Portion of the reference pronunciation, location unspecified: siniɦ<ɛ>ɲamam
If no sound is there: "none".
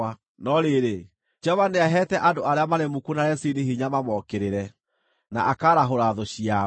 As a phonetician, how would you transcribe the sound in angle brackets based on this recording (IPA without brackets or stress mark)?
i